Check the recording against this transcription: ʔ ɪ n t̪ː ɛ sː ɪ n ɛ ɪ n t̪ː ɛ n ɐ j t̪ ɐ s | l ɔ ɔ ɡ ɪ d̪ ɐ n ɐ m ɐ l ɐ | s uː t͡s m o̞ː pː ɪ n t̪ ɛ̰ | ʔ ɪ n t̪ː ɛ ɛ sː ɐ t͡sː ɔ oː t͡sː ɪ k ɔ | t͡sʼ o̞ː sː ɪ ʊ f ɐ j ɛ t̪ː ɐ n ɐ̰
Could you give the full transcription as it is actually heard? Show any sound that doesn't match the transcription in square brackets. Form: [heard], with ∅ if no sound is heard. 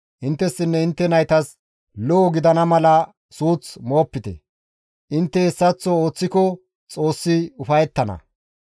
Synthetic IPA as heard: ʔ ɪ n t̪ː ɛ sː ɪ [nː] ɛ ɪ n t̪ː ɛ n ɐ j t̪ ɐ s | l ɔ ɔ ɡ ɪ d̪ ɐ n ɐ m ɐ l ɐ | s uː t͡s m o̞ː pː ɪ [∅] t̪ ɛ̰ | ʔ ɪ n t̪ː ɛ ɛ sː ɐ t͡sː ɔ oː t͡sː ɪ k ɔ | t͡sʼ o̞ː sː ɪ ʊ f ɐ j ɛ t̪ː ɐ n ɐ̰